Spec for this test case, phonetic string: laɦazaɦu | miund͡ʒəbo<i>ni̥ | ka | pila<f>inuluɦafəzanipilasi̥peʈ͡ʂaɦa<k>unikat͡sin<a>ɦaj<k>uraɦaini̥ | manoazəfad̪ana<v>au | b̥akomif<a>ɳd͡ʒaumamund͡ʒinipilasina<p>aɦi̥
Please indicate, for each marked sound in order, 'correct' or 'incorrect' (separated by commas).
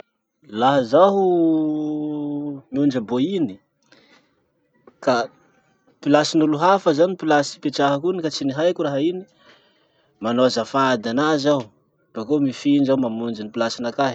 correct, incorrect, correct, incorrect, correct, incorrect, incorrect, incorrect